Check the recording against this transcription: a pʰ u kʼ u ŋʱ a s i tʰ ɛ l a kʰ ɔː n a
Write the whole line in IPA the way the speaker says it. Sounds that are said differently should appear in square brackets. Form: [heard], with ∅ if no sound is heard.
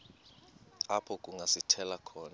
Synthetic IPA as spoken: a pʰ [ɔ] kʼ u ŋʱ a s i tʰ ɛ l a kʰ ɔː n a